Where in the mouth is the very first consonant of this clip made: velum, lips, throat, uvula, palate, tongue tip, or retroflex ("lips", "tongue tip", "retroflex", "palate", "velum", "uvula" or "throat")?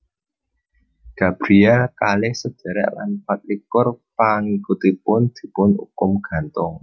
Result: velum